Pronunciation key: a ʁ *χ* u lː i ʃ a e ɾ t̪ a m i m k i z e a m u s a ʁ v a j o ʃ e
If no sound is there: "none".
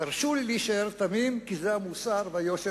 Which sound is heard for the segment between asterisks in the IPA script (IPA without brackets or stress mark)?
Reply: ʃ